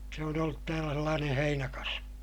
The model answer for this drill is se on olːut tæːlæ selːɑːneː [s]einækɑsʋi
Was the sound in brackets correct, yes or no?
no